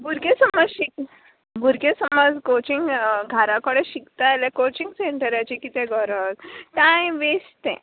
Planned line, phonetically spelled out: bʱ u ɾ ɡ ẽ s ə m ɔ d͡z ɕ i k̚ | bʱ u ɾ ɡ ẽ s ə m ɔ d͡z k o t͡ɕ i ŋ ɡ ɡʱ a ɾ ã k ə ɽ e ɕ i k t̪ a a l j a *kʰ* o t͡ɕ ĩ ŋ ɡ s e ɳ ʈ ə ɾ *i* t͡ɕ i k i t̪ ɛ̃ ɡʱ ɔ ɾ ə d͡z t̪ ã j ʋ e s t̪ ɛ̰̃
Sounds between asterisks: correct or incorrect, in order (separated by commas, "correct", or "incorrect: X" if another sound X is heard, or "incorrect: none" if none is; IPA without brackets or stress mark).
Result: incorrect: k, incorrect: a